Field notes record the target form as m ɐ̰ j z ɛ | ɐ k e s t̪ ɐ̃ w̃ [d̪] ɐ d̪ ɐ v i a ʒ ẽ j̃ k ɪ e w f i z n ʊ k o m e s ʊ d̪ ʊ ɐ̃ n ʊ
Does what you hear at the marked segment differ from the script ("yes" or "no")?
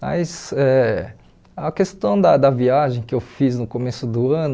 no